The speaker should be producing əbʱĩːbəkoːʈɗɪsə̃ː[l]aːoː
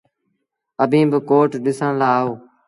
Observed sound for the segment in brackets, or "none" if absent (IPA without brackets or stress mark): l